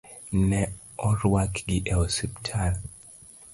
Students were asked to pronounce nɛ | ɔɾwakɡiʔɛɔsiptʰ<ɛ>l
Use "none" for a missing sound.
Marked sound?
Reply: a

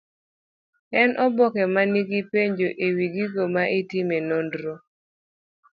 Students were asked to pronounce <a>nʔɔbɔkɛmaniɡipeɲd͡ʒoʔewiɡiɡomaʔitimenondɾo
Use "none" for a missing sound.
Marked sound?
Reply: ɛ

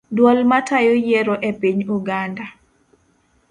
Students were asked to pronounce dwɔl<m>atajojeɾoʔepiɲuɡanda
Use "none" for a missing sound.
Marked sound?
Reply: m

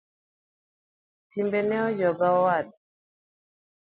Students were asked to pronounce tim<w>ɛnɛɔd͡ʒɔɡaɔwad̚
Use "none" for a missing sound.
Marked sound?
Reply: b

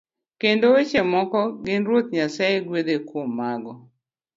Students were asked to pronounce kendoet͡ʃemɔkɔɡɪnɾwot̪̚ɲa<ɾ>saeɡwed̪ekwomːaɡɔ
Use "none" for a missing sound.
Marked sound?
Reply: none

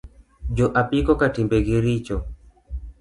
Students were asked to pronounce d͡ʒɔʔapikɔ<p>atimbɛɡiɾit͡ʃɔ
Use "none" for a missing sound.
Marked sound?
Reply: k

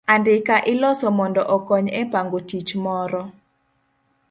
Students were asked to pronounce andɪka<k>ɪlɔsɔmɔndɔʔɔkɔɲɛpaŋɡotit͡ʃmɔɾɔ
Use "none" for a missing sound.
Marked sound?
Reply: ʔ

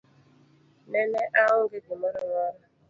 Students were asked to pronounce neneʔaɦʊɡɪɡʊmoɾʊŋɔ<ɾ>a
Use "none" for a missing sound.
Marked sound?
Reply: ɾ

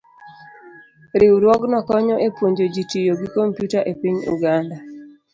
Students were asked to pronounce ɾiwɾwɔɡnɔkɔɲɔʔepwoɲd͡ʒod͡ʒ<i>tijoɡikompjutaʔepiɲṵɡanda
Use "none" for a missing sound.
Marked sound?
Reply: i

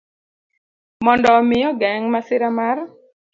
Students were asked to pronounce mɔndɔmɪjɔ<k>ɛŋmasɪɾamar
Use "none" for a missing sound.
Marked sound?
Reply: ɡ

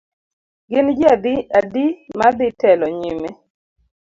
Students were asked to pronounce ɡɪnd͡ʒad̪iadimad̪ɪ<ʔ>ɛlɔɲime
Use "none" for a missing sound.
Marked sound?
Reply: t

